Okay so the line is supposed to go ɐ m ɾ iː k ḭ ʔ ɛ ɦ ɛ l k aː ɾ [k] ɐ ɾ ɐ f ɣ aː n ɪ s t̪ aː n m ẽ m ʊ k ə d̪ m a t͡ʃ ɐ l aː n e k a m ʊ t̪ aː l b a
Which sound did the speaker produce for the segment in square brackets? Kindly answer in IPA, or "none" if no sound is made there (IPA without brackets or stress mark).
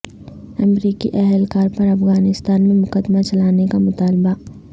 p